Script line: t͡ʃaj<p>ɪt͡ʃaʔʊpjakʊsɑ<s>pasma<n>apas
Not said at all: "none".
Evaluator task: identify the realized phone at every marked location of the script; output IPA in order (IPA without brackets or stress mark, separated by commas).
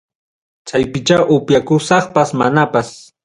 p, χ, n